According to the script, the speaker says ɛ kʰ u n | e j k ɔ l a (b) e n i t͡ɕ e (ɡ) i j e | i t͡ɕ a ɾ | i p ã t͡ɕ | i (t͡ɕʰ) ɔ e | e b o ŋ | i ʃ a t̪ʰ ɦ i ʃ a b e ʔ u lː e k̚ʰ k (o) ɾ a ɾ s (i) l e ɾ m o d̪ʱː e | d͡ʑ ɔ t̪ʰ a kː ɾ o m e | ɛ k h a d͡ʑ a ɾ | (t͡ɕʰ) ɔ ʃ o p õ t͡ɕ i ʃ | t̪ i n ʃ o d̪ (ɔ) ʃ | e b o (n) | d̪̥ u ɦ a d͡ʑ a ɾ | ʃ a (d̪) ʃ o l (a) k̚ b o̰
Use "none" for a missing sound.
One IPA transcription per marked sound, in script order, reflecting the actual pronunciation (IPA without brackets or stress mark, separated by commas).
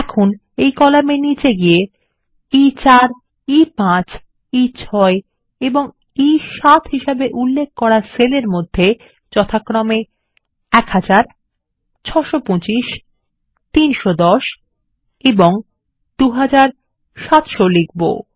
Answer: m, ɡ, t͡ɕʰ, ɔ, e, t͡ɕʰ, ɔ, ŋ, t̪, i